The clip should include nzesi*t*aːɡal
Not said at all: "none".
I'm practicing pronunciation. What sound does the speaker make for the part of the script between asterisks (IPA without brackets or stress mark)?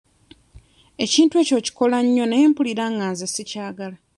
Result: c